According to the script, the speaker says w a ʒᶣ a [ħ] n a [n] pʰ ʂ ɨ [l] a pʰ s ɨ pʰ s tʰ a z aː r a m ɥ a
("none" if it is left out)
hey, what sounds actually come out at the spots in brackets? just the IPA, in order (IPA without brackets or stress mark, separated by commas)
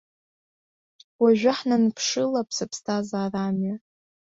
ħ, n, l